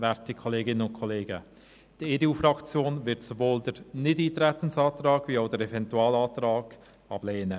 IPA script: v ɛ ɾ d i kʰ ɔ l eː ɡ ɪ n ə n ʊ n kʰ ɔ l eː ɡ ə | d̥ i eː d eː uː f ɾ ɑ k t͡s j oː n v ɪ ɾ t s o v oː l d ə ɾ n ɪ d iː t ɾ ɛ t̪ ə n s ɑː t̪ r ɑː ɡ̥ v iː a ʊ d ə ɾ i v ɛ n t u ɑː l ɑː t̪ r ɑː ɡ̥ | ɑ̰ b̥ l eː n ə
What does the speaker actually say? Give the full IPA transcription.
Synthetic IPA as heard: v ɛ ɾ t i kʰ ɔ l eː ɡ ɪ n ə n ʊ n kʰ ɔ l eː ɡ ə | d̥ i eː d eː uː f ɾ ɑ k t͡s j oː n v ɪ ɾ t s o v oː l d ə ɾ n ɪ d iː t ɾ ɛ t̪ ə n s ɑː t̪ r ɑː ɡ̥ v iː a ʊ d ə ɾ ɛ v ɛ n t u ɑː l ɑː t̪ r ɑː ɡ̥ | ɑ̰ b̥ l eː n ə